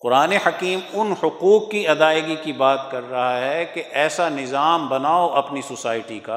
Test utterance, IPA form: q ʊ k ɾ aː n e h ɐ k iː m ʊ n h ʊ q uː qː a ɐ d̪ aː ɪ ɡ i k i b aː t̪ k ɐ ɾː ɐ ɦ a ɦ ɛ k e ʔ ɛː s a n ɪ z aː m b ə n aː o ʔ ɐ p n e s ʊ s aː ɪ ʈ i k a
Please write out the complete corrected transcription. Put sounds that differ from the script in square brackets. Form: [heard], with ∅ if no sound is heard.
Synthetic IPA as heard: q ʊ [∅] ɾ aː n e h ɐ k iː m ʊ n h ʊ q uː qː [i] ɐ d̪ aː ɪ ɡ i k i b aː t̪ k ɐ ɾː ɐ ɦ a ɦ ɛ k e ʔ ɛː s a n ɪ z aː m b [ɐ] n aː o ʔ ɐ p n [i] s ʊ s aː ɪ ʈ i k a